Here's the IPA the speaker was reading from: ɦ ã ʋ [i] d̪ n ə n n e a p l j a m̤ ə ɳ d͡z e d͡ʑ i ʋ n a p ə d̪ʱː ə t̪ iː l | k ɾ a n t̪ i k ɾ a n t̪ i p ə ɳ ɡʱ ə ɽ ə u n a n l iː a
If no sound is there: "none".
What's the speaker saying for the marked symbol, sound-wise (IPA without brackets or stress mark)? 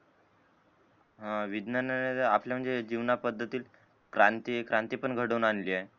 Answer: i